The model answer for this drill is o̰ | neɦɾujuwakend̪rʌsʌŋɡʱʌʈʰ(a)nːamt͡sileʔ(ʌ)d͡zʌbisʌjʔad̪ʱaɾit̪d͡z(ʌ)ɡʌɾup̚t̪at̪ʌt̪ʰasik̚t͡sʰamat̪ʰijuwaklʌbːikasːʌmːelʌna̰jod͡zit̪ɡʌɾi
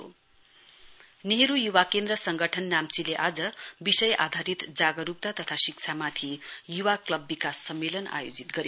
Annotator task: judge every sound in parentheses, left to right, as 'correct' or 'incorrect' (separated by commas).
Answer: incorrect, incorrect, incorrect